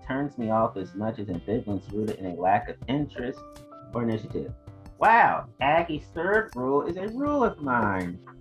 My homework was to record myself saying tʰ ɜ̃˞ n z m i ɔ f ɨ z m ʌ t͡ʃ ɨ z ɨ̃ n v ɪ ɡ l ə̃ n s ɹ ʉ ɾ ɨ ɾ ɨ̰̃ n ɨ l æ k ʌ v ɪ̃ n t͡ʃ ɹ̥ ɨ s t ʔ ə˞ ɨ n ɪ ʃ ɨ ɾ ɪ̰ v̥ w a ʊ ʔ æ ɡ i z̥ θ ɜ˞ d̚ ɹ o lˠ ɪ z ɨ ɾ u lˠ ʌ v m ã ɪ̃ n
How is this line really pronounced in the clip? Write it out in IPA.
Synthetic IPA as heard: tʰ ɜ̃˞ n z m i ɔ f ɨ z m ʌ t͡ʃ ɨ z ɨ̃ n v ɪ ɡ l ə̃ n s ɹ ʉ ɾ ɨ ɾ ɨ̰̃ n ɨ l æ k ʌ v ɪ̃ n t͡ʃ ɹ̥ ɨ s t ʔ ə˞ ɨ n ɪ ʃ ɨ ɾ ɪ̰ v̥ w a ʊ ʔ æ ɡ i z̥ θ ɜ˞ d̚ ɹ u lˠ ɪ z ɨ ɹ u lˠ ʌ v m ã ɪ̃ n